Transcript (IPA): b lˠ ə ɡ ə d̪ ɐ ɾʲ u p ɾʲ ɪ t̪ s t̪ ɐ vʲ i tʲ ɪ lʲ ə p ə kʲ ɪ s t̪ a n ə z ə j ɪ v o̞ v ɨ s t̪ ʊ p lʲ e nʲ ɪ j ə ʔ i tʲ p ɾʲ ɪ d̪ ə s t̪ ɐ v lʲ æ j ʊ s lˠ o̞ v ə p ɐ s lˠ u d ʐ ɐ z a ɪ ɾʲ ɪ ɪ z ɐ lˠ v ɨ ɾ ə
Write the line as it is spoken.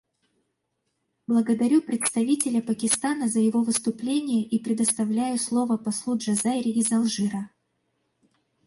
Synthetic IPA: b lˠ ə ɡ ə d̪ ɐ ɾʲ u p ɾʲ ɪ t̪ s t̪ ɐ vʲ i tʲ ɪ lʲ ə p ə kʲ ɪ s t̪ a n ə z ə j ɪ v o̞ v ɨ s t̪ ʊ p lʲ e nʲ ɪ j ə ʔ i p ɾʲ ɪ d̪ ə s t̪ ɐ v lʲ æ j ʊ s lˠ o̞ v ə p ɐ s lˠ u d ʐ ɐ z a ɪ ɾʲ ɪ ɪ z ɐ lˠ ʐ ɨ ɾ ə